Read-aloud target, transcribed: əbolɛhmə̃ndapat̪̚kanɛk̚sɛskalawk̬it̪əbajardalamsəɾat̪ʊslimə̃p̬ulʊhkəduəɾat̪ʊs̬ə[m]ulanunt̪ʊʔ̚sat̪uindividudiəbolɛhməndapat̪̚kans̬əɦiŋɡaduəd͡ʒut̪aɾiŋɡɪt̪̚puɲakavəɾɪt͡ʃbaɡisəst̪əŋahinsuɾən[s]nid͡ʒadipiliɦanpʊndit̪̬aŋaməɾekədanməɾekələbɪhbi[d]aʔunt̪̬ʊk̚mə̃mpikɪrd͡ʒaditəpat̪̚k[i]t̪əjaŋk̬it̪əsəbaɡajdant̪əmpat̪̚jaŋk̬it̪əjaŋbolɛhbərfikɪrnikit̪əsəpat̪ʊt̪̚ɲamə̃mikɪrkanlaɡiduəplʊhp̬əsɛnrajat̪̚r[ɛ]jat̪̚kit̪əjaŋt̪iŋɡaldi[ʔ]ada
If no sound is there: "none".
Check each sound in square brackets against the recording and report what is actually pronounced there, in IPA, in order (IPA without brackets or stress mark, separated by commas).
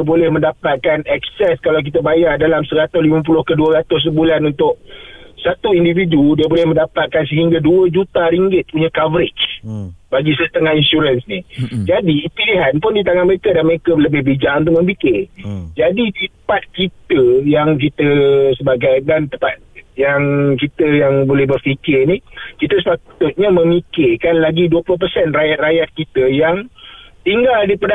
b, s, d͡ʒ, i, a, p